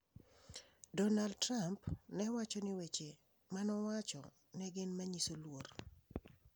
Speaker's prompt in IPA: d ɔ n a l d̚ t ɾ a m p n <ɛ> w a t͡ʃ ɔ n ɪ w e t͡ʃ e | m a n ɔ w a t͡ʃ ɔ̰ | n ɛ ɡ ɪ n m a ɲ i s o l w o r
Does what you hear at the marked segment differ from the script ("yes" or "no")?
no